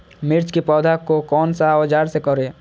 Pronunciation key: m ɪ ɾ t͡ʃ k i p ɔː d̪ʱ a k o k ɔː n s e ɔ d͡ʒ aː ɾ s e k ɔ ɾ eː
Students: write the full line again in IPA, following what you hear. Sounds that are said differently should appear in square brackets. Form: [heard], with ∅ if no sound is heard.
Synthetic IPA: m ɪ ɾ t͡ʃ k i p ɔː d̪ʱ a k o k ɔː n s [a] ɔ d͡ʒ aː ɾ s e k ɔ ɾ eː